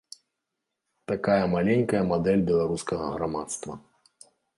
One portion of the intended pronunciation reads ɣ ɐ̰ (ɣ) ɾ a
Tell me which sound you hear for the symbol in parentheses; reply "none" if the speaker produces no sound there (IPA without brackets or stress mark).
ɣ